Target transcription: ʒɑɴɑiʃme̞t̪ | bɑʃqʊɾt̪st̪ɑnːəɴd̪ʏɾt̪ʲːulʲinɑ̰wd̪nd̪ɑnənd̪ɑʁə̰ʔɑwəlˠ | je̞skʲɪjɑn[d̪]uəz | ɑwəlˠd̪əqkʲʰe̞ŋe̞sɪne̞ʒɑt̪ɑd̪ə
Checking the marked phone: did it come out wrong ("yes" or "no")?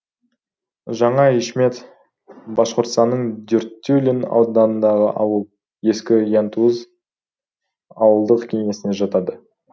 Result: yes